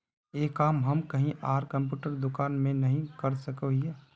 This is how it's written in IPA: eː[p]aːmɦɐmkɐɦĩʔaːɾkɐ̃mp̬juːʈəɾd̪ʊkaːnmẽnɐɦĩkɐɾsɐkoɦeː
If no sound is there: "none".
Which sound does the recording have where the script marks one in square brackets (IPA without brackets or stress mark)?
k